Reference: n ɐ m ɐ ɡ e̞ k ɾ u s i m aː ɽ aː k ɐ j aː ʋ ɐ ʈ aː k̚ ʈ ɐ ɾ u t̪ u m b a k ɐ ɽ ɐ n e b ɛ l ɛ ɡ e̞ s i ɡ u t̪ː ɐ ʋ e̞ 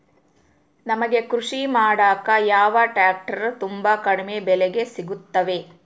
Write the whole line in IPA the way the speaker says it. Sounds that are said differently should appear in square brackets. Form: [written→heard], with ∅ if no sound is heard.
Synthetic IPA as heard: n ɐ m ɐ ɡ e̞ k ɾ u [s→ʂ] i m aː ɽ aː k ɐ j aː ʋ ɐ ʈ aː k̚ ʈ ɐ ɾ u t̪ u m b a k ɐ ɽ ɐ [n→m] e b ɛ l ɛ ɡ e̞ s i ɡ u t̪ː ɐ ʋ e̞